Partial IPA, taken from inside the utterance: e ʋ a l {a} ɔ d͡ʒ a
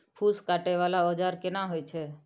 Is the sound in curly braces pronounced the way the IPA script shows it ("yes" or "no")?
yes